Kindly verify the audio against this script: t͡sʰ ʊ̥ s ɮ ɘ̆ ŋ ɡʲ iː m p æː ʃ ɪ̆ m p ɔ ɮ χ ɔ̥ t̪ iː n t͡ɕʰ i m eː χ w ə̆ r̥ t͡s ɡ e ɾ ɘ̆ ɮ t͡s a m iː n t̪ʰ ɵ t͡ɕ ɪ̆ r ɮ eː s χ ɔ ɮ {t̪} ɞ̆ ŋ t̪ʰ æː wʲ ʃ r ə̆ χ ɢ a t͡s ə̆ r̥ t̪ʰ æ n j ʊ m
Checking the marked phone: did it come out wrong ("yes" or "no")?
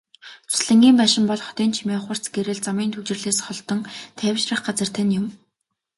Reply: no